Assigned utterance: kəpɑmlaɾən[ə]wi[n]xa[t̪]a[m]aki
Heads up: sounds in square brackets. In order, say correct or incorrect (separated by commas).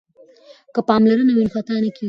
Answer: incorrect, correct, correct, incorrect